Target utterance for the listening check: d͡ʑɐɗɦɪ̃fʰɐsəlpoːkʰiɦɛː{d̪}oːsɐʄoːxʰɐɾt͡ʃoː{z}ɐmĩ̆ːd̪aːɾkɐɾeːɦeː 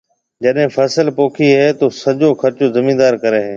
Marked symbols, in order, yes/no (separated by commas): no, yes